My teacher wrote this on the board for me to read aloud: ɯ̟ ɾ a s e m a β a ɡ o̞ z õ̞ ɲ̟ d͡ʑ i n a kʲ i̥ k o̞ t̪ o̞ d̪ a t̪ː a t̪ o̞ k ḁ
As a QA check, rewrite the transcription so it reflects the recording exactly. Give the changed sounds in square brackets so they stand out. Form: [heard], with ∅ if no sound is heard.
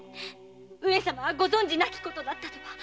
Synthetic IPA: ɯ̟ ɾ [e] s [a] m a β a ɡ o̞ z õ̞ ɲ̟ d͡ʑ i n a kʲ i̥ k o̞ t̪ o̞ d̪ a t̪ː a t̪ o̞ k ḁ